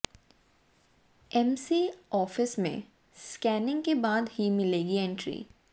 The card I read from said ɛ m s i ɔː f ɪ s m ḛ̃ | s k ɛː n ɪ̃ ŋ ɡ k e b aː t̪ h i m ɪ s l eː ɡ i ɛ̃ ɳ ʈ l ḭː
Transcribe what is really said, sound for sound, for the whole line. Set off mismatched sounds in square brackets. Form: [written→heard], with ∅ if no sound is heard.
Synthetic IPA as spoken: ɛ m s i ɔː f ɪ s m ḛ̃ | s k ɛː n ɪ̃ ŋ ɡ k e b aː [t̪→d̪] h i m ɪ [s→∅] l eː ɡ i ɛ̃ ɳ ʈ [l→ɾ] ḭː